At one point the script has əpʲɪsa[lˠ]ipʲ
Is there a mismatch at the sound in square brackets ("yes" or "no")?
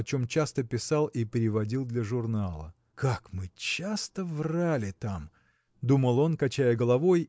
no